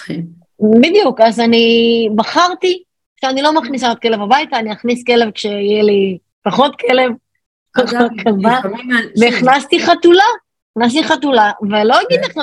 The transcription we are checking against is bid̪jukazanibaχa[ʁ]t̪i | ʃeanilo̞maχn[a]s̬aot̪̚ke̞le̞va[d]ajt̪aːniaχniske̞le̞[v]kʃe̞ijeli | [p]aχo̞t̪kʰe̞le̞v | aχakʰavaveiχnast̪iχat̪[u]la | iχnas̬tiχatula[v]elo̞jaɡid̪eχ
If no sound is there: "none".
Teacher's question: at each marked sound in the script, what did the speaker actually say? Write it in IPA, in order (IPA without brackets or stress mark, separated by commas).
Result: ʁ, i, b, v, p, u, v